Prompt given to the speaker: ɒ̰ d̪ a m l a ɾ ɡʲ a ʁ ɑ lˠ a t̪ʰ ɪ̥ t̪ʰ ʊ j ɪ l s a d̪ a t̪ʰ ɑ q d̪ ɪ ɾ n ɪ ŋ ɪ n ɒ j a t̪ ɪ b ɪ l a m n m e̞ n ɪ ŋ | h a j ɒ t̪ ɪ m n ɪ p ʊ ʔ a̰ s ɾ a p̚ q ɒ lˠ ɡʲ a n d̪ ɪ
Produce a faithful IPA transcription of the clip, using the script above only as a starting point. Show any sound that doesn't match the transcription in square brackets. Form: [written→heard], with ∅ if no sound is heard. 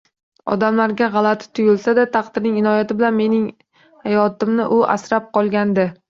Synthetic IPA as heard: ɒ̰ d̪ a m l a ɾ ɡʲ a ʁ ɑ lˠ a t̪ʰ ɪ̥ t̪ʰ ʊ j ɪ l s a d̪ a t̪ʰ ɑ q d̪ ɪ ɾ n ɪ ŋ ɪ n ɒ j a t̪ ɪ b ɪ l a [m→∅] n m e̞ n ɪ ŋ | h a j ɒ t̪ ɪ m n ɪ [p→ʔ] ʊ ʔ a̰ s ɾ a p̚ q ɒ lˠ ɡʲ a n d̪ ɪ

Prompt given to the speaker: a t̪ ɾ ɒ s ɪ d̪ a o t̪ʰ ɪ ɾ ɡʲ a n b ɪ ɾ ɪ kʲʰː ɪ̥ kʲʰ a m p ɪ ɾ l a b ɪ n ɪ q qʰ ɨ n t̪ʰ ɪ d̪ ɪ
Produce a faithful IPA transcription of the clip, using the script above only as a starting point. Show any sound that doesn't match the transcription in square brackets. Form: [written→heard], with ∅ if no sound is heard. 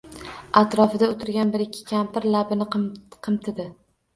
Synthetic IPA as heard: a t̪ ɾ ɒ [s→f] ɪ d̪ a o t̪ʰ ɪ ɾ ɡʲ a n b ɪ ɾ ɪ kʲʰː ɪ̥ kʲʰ a m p ɪ ɾ l a b ɪ n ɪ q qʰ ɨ [n→m] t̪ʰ ɪ d̪ ɪ

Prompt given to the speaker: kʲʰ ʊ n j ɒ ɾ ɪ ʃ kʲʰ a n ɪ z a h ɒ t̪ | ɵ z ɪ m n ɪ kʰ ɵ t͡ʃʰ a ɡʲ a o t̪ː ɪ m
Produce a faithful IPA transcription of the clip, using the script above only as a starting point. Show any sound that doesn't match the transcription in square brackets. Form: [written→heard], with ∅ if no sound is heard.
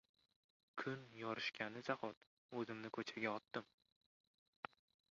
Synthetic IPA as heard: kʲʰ ʊ n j ɒ ɾ ɪ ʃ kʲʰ a n ɪ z a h ɒ t̪ | ɵ z ɪ m n ɪ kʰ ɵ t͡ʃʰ a ɡʲ a [o→ɒ] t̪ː ɪ m

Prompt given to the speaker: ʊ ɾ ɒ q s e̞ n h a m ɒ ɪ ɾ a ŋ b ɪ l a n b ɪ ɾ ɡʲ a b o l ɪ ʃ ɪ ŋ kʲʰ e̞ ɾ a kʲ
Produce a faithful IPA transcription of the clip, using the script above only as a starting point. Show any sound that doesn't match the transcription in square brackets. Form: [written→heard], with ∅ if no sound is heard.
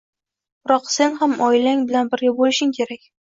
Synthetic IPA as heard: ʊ ɾ ɒ q s e̞ n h a m ɒ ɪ [ɾ→l] a ŋ b ɪ l a n b ɪ ɾ ɡʲ a b o l ɪ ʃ ɪ ŋ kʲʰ e̞ ɾ a kʲ

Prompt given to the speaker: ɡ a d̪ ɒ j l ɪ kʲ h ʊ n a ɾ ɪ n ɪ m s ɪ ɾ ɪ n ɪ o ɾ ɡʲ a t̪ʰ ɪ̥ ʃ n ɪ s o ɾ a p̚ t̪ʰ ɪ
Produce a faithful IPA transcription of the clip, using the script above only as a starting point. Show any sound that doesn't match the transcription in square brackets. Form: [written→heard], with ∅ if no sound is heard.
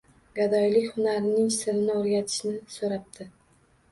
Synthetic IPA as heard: ɡ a d̪ ɒ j l ɪ kʲ h ʊ n a ɾ ɪ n ɪ [m→ŋ] s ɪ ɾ ɪ n ɪ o ɾ ɡʲ a t̪ʰ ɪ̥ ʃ n ɪ s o ɾ a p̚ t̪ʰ ɪ

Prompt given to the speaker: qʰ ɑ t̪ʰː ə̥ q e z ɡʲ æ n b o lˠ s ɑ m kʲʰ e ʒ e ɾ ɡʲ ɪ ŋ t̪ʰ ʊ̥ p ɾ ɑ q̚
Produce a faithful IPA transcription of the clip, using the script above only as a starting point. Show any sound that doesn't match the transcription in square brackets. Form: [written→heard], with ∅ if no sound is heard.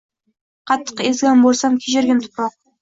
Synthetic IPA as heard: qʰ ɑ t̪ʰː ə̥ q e z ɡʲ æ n b o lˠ s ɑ m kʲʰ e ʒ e ɾ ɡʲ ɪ [ŋ→n] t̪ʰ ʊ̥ p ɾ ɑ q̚

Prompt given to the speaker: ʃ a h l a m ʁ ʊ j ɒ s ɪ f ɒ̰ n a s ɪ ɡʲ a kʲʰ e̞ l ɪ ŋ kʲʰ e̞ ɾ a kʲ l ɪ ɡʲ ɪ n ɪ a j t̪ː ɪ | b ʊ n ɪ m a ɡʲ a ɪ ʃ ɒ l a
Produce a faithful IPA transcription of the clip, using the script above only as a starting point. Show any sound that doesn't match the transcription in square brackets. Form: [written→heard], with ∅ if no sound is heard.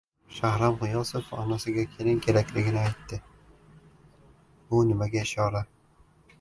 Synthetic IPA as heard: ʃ a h [l→ɾ] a m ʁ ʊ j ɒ s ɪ f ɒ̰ n a s ɪ ɡʲ a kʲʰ e̞ l ɪ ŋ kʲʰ e̞ ɾ a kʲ l ɪ ɡʲ ɪ n ɪ a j t̪ː ɪ | b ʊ n ɪ m a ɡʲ a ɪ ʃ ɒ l a

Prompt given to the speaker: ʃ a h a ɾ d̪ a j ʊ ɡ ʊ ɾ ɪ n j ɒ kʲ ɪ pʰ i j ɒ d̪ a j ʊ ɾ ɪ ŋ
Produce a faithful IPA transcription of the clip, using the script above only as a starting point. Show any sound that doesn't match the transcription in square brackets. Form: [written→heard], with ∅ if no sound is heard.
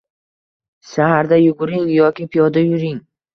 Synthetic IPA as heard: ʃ a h a ɾ d̪ a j ʊ ɡ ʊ ɾ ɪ [n→ŋ] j ɒ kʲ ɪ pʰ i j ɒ d̪ a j ʊ ɾ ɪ ŋ

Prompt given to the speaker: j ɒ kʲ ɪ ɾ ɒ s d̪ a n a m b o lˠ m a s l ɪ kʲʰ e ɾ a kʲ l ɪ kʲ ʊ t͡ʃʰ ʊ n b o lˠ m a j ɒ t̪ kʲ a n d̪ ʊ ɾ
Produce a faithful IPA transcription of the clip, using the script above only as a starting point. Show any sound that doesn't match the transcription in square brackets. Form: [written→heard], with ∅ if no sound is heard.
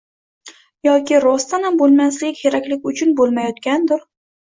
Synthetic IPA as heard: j ɒ kʲ ɪ ɾ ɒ s [d̪→t̪] a n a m b o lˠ m a s l ɪ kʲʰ e ɾ a kʲ l ɪ kʲ ʊ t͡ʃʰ ʊ n b o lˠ m a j ɒ t̪ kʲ a n d̪ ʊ ɾ

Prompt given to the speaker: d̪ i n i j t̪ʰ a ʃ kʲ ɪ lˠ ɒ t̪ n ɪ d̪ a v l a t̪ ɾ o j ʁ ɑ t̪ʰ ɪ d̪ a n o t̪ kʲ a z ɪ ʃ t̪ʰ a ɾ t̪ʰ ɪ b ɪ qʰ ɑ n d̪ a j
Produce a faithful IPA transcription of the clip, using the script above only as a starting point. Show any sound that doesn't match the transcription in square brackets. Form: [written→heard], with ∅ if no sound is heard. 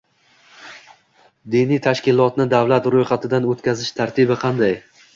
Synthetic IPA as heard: d̪ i n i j t̪ʰ a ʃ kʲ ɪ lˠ ɒ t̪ n ɪ d̪ a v l a t̪ ɾ o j [ʁ→χ] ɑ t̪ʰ ɪ d̪ a n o t̪ kʲ a z ɪ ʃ t̪ʰ a ɾ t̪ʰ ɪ b ɪ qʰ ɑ n d̪ a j

